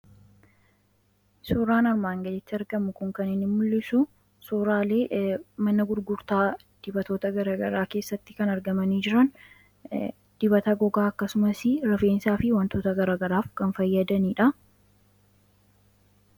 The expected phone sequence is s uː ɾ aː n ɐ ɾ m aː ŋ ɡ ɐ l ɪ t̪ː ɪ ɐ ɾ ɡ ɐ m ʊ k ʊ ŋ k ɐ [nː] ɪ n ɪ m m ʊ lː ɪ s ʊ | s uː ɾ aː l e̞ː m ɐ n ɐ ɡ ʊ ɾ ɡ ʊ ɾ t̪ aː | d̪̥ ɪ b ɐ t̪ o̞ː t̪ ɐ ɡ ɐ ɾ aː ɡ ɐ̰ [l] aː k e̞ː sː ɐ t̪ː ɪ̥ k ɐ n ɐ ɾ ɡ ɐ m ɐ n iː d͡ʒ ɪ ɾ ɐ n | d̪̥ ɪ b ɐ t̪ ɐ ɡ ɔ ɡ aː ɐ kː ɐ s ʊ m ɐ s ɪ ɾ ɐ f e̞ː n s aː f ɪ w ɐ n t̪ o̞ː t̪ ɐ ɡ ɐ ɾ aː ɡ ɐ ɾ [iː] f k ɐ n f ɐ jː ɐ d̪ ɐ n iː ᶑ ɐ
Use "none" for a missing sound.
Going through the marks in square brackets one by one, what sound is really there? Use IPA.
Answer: n, ɾ, aː

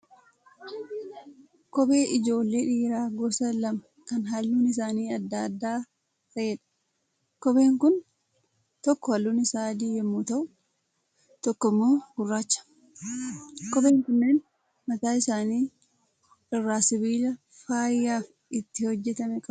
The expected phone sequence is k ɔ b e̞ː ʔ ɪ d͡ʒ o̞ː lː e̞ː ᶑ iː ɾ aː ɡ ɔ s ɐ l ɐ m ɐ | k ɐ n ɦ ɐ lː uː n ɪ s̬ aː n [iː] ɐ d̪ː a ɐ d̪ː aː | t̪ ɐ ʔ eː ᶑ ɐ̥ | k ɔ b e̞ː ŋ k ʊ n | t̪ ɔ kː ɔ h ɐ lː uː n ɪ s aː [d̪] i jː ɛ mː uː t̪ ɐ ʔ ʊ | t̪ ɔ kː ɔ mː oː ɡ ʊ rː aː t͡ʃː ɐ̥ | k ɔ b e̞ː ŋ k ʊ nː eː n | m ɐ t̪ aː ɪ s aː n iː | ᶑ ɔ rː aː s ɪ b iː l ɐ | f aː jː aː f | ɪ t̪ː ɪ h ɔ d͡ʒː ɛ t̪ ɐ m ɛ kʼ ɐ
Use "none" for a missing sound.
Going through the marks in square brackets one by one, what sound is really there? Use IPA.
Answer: iː, d̪

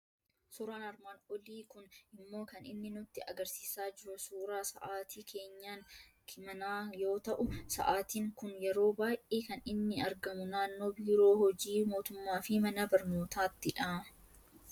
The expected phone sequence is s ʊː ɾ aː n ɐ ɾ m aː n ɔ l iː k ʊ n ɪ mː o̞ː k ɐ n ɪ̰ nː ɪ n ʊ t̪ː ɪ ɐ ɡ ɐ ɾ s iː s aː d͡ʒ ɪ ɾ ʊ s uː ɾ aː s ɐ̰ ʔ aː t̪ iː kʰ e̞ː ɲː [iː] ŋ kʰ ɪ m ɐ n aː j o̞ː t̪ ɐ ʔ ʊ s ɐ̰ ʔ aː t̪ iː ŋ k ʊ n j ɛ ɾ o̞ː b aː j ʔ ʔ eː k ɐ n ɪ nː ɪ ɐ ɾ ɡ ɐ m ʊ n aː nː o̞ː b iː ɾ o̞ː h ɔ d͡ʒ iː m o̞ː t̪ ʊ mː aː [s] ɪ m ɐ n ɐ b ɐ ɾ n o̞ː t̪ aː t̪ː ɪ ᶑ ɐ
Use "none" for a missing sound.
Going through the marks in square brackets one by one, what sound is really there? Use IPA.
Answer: aː, f

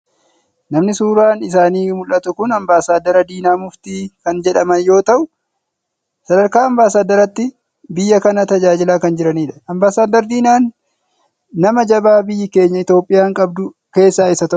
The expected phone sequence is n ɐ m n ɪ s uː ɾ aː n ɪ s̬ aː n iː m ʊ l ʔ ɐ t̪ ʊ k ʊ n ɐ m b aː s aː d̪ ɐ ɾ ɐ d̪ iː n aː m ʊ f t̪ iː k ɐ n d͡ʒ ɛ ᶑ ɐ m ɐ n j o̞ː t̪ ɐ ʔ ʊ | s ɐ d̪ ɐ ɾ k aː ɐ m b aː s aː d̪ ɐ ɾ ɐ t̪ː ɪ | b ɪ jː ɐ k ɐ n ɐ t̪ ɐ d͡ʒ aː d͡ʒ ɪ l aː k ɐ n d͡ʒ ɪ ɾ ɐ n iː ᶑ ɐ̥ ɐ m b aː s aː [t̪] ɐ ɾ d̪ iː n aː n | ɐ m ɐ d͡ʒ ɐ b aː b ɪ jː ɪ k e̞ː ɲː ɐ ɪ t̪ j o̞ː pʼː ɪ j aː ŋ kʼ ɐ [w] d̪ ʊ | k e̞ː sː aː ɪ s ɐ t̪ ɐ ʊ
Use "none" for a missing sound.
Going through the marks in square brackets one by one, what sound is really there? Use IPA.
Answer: d̪, b

